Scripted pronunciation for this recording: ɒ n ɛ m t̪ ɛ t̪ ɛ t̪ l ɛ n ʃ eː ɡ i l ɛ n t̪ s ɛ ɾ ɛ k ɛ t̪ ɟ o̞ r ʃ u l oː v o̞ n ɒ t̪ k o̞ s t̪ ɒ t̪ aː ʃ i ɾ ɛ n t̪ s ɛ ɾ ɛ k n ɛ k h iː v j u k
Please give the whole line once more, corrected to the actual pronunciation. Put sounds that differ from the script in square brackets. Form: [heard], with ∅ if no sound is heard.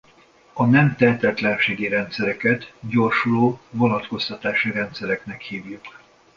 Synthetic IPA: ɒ n ɛ m t̪ ɛ t̪ ɛ t̪ l ɛ n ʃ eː ɡ i [ɾ] ɛ n t̪ s ɛ ɾ ɛ k ɛ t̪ ɟ o̞ r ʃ u l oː v o̞ n ɒ t̪ k o̞ s t̪ ɒ t̪ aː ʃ i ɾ ɛ n t̪ s ɛ ɾ ɛ k n ɛ k h iː v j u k